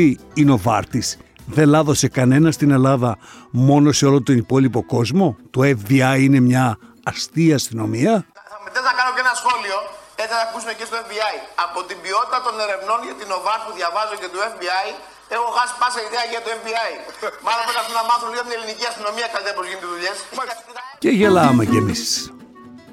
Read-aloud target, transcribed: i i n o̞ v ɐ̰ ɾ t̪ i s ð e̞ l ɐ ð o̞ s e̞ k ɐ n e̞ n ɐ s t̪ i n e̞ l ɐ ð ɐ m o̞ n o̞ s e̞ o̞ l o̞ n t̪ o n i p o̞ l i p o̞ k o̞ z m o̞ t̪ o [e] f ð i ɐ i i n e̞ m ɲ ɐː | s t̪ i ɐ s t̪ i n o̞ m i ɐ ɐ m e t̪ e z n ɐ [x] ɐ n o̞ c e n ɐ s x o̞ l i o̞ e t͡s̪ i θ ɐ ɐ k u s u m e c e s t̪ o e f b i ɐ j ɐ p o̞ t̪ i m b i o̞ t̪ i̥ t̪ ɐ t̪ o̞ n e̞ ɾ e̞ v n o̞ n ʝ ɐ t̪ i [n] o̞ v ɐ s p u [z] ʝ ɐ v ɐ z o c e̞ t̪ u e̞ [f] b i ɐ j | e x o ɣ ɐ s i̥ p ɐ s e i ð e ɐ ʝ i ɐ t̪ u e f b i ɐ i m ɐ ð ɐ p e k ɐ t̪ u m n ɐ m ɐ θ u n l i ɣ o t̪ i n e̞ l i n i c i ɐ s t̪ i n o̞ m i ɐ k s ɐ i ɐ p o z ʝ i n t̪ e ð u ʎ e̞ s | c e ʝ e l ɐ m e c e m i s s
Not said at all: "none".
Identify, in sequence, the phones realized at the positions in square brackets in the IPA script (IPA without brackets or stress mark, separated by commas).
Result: e, k, n, ð, f